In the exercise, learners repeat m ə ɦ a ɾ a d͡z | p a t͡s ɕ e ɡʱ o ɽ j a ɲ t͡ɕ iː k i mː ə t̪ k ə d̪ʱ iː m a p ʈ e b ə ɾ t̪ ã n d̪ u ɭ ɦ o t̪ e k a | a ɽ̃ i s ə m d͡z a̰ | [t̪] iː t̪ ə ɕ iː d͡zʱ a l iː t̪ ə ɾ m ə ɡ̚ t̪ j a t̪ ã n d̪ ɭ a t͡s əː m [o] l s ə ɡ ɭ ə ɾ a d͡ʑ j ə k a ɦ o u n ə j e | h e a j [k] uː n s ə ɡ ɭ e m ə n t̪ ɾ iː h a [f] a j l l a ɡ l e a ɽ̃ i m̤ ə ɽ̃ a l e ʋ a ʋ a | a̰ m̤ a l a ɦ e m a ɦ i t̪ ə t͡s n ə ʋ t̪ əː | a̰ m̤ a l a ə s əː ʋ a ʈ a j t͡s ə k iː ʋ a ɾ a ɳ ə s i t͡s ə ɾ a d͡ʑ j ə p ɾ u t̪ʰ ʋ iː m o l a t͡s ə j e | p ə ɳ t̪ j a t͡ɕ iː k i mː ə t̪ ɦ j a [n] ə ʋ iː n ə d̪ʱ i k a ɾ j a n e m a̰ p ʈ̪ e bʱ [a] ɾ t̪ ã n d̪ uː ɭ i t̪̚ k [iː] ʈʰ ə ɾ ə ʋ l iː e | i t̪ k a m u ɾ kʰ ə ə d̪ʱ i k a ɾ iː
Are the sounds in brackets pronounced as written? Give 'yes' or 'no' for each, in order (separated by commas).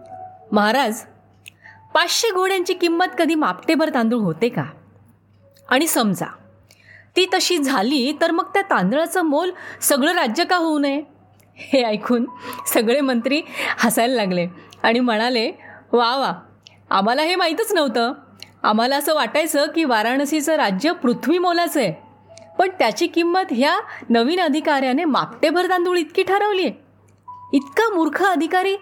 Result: yes, yes, no, no, yes, no, yes